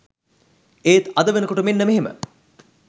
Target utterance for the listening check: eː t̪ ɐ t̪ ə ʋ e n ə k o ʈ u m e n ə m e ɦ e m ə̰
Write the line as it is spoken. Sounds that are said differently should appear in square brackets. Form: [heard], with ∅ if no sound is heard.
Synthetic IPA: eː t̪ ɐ [d̪] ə ʋ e n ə k o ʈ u m e [nː] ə m e ɦ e m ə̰